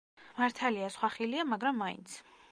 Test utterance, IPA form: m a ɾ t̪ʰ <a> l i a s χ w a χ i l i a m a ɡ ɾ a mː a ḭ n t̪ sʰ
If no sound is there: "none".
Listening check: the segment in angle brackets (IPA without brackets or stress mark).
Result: a